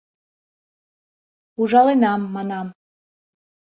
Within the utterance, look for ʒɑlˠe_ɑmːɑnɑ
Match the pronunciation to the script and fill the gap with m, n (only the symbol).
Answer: n